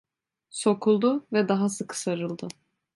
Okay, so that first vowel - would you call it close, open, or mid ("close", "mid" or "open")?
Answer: mid